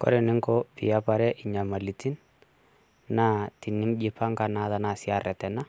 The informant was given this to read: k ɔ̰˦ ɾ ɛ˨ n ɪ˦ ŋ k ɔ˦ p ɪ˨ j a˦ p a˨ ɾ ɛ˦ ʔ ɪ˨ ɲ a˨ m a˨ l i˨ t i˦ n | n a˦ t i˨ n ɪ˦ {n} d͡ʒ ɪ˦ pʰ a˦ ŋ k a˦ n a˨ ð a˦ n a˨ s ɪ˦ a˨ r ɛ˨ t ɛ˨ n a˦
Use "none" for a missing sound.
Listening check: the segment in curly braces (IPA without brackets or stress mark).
m